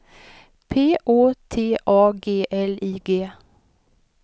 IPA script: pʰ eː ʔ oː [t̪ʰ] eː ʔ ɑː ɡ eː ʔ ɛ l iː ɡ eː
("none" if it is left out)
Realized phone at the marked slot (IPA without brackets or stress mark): t̪ʰ